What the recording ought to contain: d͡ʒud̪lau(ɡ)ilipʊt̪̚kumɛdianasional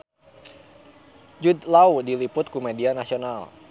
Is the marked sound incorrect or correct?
incorrect